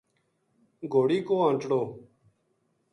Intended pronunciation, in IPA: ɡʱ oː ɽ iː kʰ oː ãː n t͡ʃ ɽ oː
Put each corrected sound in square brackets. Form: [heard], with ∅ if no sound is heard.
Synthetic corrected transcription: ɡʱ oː ɽ iː [k] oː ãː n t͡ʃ ɽ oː